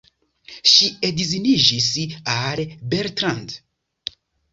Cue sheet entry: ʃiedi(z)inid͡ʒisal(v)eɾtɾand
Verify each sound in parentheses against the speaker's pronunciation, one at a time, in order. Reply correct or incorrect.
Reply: correct, incorrect: b

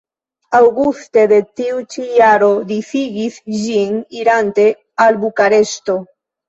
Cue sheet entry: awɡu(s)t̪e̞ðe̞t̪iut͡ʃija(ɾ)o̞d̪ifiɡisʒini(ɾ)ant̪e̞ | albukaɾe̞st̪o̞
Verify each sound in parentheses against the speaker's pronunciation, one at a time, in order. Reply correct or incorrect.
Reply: correct, correct, correct

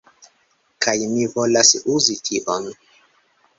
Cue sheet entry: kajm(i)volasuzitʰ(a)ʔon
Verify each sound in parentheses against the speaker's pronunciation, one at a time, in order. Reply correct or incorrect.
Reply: correct, incorrect: i

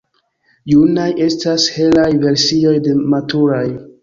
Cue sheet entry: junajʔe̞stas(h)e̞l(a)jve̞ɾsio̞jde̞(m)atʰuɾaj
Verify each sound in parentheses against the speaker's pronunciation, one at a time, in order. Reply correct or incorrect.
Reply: correct, correct, correct

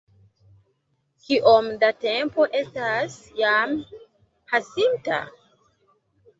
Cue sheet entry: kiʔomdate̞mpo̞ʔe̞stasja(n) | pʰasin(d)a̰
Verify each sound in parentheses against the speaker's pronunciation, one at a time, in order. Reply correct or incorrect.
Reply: incorrect: m, incorrect: t

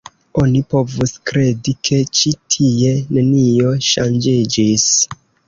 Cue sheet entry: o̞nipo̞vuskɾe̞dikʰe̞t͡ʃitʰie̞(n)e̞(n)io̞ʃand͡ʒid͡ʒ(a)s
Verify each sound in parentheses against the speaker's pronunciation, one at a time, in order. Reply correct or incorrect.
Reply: correct, correct, incorrect: i

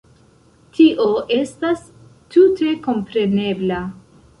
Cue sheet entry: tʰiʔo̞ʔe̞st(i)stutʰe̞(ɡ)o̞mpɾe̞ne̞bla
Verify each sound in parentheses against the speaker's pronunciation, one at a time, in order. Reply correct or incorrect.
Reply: incorrect: a, incorrect: k

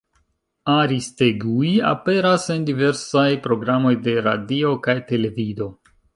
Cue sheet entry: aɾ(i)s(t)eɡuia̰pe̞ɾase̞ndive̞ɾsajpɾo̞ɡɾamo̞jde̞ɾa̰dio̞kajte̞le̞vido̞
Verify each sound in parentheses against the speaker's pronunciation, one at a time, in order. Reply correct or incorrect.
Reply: correct, correct

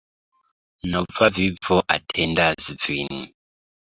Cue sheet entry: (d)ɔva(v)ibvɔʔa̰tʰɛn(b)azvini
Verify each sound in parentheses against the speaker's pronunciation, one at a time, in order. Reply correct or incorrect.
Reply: incorrect: n, correct, incorrect: d

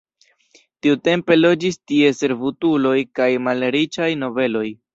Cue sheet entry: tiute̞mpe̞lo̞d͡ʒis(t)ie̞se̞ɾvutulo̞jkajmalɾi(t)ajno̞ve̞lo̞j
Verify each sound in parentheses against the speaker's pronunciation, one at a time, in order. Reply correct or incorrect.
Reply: correct, incorrect: t͡ʃ

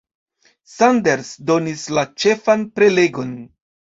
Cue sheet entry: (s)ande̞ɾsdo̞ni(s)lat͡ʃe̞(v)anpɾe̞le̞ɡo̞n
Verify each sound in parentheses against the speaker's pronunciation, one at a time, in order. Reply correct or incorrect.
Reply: correct, correct, incorrect: f

